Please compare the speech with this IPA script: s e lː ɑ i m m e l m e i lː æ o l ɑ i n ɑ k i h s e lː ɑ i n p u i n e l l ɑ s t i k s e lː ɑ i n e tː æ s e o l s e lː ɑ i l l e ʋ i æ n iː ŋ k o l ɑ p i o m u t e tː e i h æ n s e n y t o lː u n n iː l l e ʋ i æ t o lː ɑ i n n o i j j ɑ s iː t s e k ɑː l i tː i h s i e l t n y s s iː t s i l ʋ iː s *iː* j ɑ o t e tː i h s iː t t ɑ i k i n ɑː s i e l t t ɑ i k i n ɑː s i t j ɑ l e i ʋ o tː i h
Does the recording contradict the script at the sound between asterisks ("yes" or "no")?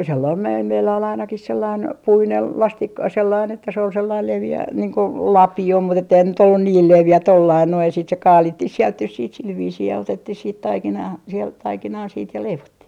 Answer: no